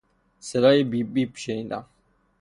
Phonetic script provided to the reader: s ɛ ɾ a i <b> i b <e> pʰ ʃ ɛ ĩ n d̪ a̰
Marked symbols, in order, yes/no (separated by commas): yes, no